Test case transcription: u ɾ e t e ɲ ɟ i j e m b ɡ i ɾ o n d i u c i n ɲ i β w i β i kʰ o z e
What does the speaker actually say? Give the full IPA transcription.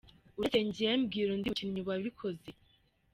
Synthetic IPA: u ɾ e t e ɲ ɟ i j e m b ɡ i ɾ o n d i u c i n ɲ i β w a β i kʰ o z e